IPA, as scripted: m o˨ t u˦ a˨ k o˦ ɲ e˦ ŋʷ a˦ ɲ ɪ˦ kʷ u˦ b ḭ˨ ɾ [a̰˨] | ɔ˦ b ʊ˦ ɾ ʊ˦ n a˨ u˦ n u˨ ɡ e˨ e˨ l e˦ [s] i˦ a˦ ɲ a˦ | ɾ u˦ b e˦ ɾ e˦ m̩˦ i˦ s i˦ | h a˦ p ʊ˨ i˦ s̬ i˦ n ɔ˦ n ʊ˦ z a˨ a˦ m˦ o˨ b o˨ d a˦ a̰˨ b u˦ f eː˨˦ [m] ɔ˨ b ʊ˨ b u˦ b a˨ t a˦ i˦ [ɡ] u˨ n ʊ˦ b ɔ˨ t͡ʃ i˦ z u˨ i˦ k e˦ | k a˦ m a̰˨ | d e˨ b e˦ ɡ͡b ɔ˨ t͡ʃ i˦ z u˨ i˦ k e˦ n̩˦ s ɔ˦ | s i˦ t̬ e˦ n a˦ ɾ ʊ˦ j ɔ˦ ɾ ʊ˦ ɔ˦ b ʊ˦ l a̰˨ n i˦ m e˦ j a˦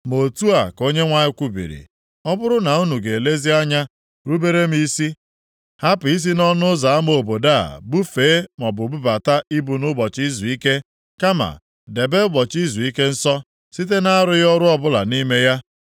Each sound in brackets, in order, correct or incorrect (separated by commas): incorrect, incorrect, correct, incorrect